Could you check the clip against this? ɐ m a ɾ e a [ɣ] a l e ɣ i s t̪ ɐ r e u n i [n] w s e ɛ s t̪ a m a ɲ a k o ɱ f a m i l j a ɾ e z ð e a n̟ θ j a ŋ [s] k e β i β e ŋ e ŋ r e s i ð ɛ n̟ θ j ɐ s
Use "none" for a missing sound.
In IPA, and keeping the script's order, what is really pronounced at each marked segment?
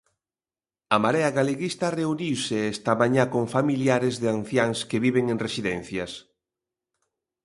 ɣ, none, s

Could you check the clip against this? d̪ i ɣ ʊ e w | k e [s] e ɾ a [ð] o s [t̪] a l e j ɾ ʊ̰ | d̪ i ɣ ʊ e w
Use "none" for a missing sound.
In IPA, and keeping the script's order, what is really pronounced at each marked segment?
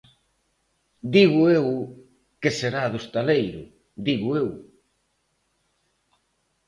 s, ð, t̪

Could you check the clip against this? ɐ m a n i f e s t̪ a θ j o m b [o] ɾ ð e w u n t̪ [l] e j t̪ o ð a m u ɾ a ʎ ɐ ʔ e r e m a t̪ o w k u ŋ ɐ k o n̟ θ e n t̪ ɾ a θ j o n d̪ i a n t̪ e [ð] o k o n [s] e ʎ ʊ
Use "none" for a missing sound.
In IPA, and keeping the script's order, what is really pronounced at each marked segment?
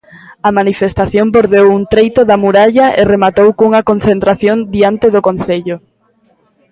o, ɾ, ð, θ

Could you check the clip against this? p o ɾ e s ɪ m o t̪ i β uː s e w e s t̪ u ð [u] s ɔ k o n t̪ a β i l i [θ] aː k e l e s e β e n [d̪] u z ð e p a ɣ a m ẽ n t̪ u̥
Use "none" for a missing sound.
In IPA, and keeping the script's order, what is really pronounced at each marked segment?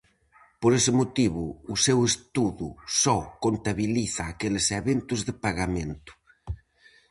u, θ, t̪

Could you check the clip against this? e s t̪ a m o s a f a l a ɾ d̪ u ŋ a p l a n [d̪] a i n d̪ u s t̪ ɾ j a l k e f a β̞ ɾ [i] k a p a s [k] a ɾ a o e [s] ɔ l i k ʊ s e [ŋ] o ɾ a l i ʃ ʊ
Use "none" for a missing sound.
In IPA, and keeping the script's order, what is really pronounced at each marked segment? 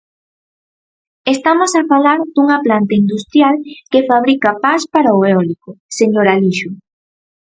t̪, i, p, none, ɲ

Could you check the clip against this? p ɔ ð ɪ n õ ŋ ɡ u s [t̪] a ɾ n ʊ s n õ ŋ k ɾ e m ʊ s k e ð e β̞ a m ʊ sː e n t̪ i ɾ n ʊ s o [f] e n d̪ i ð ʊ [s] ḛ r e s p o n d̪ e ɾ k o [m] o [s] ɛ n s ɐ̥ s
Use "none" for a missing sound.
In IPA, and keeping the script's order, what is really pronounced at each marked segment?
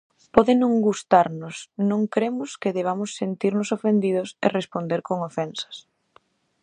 t̪, f, s, ŋ, f

